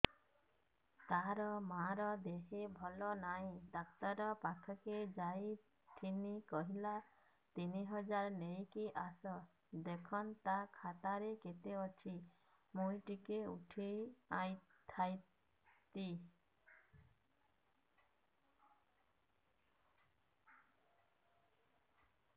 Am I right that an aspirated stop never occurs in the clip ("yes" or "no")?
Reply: no